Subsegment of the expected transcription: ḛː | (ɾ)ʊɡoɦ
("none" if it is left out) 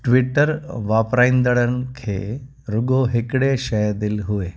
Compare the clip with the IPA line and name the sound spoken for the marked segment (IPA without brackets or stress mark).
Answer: ɾ